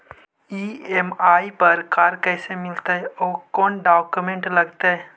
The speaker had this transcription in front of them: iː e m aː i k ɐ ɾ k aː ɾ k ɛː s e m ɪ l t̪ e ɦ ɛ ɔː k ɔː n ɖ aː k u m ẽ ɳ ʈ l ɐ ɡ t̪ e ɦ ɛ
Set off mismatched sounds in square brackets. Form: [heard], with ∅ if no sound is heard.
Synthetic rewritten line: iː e m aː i [p] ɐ ɾ k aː ɾ k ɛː s e m ɪ l t̪ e ɦ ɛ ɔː k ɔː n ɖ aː k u m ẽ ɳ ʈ l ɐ ɡ t̪ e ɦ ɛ